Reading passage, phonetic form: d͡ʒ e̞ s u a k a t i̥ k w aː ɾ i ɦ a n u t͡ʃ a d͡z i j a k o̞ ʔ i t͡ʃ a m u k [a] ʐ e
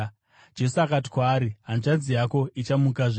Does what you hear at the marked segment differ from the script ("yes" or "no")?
no